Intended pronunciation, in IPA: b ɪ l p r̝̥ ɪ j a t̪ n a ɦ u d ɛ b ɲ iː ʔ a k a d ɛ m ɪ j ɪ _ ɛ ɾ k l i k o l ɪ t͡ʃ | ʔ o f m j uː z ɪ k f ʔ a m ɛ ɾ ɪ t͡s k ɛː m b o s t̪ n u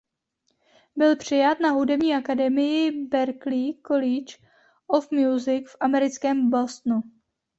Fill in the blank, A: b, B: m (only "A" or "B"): A